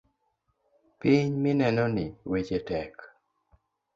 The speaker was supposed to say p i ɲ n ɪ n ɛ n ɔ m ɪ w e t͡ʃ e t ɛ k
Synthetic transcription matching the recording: p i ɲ m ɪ n ɛ n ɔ n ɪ w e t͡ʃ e t ɛ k